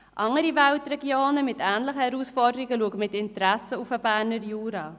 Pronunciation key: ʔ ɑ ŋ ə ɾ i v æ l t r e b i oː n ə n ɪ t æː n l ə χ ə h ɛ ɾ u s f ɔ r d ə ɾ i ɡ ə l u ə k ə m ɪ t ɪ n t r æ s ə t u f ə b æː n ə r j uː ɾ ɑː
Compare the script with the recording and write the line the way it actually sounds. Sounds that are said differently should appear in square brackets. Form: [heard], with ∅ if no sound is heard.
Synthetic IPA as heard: ʔ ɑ ŋ ə ɾ i v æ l t r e [ɡ] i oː n ə [m] ɪ t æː n l ə χ ə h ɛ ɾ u s f ɔ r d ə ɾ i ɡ ə l u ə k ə m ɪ t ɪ n t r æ s ə [∅] u f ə b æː n ə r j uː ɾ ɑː